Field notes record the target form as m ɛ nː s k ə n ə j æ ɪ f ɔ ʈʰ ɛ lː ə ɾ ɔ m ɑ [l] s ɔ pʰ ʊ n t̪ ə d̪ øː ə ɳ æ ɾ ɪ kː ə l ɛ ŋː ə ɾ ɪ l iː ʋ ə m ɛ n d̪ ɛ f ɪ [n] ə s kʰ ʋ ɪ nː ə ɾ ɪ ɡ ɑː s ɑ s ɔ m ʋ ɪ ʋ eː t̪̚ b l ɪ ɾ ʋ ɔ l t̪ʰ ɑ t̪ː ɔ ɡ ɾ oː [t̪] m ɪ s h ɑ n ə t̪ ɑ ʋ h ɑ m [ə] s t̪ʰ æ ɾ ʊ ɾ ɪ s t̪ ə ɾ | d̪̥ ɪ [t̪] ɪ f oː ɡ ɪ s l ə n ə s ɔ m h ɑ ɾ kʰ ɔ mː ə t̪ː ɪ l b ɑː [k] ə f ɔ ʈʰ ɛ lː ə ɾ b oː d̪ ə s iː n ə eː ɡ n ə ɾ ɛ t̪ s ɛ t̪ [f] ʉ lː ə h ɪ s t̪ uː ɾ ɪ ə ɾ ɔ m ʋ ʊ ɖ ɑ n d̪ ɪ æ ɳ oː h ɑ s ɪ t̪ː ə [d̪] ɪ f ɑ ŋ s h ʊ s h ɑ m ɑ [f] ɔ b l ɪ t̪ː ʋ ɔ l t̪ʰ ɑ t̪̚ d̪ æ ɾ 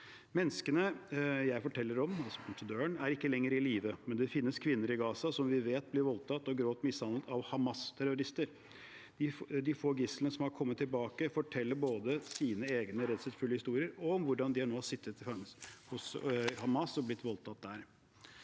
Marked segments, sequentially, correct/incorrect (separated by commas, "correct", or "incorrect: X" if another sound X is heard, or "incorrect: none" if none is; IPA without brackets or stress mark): correct, incorrect: nː, correct, incorrect: ɑ, incorrect: d̪, correct, correct, incorrect: t̪, incorrect: s